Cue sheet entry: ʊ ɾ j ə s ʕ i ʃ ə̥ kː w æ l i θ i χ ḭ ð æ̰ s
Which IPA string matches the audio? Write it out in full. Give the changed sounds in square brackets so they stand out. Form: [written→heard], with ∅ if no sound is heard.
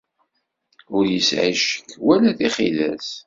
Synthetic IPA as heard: ʊ ɾ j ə s ʕ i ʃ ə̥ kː w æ l [i→æ] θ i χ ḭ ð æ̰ s